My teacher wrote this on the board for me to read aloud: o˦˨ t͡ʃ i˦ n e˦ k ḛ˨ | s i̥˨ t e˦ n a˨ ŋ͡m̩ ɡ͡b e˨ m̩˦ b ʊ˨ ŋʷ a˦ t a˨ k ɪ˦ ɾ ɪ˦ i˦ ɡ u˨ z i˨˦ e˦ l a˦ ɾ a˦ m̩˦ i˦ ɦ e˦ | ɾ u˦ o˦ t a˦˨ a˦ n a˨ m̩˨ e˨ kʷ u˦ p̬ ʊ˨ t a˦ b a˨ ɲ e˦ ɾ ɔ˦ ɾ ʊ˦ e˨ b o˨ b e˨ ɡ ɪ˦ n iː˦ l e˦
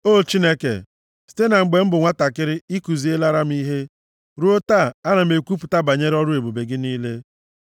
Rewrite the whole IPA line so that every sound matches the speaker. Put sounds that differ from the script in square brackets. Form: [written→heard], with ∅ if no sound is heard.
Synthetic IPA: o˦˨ t͡ʃ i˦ n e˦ k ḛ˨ | s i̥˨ t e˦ n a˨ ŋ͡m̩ ɡ͡b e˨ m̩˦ b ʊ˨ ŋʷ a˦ t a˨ k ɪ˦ ɾ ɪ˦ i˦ [ɡ→k] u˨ z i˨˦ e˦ l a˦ ɾ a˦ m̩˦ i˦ ɦ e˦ | ɾ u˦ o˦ t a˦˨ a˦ n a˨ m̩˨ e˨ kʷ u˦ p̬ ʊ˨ t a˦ b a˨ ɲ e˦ ɾ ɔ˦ ɾ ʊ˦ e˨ b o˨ b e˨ ɡ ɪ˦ n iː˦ l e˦